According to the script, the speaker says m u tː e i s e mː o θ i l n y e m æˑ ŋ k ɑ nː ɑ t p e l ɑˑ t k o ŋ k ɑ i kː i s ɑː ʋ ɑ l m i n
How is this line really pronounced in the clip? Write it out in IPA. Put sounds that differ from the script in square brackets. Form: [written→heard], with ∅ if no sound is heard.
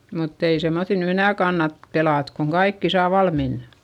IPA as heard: m u tː e i s e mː o θ i l n y e [m→n] æˑ [ŋ→∅] k ɑ nː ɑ t p e l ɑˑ t k o ŋ k ɑ i kː i s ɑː ʋ ɑ l m i n

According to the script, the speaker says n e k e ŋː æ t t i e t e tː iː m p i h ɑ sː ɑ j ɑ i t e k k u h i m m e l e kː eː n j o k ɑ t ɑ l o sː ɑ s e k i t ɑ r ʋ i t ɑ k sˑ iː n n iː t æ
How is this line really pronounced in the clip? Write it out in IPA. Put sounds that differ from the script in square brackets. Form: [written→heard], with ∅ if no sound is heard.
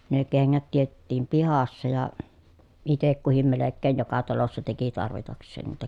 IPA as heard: n e k e ŋː æ t t i e t e tː iː m p i h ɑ sː ɑ j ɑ i t e k k u h i m m e l e kː eː n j o k ɑ t ɑ l o sː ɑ [s→t] e k i t ɑ r ʋ i t ɑ k sˑ [iː→eː] n n iː t æ

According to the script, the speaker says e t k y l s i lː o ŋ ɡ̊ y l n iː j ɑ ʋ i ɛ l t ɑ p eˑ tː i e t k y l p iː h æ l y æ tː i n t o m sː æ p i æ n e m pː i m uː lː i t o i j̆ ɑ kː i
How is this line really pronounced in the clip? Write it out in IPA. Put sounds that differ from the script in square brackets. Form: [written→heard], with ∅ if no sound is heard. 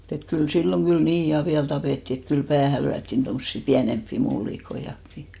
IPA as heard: e t k y l s i lː o ŋ ɡ̊ y l n iː j ɑ ʋ i [ɛ→æ] l t ɑ p eˑ tː i e t k y l p [iː→æː] h æ l y æ tː i n t o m sː [æ→i] p i æ n e m pː i m [uː→u] lː i [t→k] o i j̆ ɑ kː i

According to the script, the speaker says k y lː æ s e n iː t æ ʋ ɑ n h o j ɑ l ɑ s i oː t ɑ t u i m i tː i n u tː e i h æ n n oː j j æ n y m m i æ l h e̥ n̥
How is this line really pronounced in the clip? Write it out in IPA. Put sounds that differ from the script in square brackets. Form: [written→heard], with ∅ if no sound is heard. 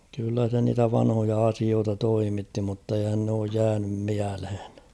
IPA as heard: k y lː æ s e n iː t æ ʋ ɑ n h o j ɑ [l→∅] ɑ s i oː t ɑ t [u→o] i m i tː i [n→m] u tː e i h æ n n oː j j [æ→æː] n y m m i æ l h e̥ n̥

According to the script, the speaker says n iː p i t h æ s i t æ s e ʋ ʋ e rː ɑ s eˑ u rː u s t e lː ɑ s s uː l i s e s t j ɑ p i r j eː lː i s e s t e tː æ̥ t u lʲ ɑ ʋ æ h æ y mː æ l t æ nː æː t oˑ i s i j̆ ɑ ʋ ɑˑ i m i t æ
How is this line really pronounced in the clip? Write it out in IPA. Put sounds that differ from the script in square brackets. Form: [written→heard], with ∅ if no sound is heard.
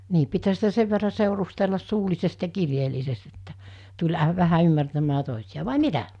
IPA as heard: n iː p i t h æ s i t æ s e ʋ ʋ e rː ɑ s eˑ u [rː→r] u s t e lː ɑ s s uː l i s e s t j ɑ [p→k] i r j eː lː i s e s t e tː æ̥ t u lʲ ɑ ʋ æ h æ y mː æ [l→r] t æ [nː→mː] æː t oˑ i s i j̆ ɑ ʋ ɑˑ i m i t æ

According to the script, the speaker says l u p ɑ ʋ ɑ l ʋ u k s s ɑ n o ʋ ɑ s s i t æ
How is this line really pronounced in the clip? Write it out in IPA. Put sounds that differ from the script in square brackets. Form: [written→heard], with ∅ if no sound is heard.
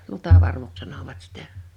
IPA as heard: l u [p→t] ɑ ʋ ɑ [l→r] ʋ u k s s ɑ n o ʋ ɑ [s→t] s i t æ

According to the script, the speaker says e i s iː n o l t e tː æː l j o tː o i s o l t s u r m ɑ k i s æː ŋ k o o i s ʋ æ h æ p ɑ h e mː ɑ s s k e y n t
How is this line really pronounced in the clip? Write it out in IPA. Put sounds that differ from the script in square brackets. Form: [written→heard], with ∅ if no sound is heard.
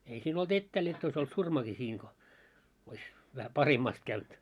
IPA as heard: e i s iː n o l t e tː æː l j o tː o i s o l t s u r m ɑ k i s [æː→iː] ŋ k o o i s ʋ æ h æ p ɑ h e mː ɑ s [s→t] k [e→æ] y n t

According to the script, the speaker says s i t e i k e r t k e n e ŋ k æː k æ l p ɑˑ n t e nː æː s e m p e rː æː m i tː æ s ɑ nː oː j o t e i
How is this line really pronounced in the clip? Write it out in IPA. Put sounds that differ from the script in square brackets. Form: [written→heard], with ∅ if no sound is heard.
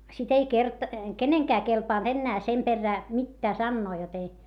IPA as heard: s i t e i k e r t k e n e ŋ k æː k [æ→e] l p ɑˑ n t e nː æː s e m p e rː æː m i tː [æ→æː] s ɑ nː oː j o t e i

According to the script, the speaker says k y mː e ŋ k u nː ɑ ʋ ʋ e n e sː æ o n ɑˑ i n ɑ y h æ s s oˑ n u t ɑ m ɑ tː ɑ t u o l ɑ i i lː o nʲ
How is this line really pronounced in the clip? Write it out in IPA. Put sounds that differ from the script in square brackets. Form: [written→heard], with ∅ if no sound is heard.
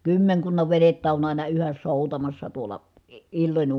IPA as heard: k y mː e ŋ k u nː ɑ ʋ ʋ e n e [sː→tː] æ o n ɑˑ i n ɑ y h æ s s oˑ [n→∅] u t ɑ m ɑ [tː→sː] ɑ t u o l ɑ i i lː o nʲ

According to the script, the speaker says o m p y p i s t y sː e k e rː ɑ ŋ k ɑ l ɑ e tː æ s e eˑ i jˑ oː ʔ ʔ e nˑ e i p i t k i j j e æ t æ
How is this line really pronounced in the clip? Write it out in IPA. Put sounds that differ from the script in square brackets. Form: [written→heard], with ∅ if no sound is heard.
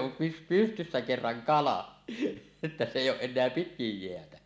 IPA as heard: o m p y p [i→y] s t y sː [e→æ] k e rː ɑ ŋ k ɑ l ɑ e tː æ s e eˑ i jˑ oː ʔ ʔ e nˑ e [i→æ] p i t k i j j e æ t æ

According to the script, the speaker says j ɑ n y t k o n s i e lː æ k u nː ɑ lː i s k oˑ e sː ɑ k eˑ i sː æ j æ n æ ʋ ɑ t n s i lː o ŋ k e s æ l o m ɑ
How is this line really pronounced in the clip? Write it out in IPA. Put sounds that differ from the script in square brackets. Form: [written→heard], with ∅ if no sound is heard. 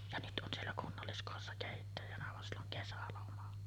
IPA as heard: j ɑ n y t [k→ʔ] o n s i e lː æ k u nː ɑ lː i s k oˑ e sː ɑ k eˑ i [sː→tː] æ j æ n æ ʋ ɑ [t→∅] n s i lː o ŋ k e s æ l o m ɑ

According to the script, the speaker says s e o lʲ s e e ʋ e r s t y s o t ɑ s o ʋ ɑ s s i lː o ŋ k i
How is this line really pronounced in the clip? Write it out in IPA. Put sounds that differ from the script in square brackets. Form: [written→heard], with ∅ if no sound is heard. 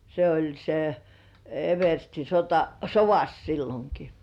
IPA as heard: s e o lʲ s e e ʋ e r s t [y→i] s o t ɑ s o ʋ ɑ s s i lː o ŋ k i

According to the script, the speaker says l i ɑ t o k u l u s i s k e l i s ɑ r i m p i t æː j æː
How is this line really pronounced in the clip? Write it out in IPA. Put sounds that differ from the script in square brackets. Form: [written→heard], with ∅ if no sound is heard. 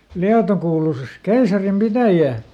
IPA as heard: l i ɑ t o k [u→uː] l u s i s k e [l→∅] i s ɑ r i m p i t [æː→æ] j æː

